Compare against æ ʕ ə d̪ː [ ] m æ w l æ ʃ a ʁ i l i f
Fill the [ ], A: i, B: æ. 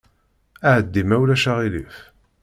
A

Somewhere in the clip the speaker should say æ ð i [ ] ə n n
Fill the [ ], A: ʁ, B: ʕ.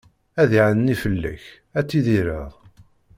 B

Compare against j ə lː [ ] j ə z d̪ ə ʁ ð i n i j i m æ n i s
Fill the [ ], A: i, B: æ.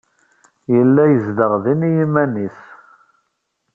B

